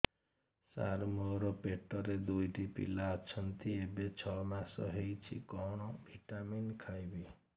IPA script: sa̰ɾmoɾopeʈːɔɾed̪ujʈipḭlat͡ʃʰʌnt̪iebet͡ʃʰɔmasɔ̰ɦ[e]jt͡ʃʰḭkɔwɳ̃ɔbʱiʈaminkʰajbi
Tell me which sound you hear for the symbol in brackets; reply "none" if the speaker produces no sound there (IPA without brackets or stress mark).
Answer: e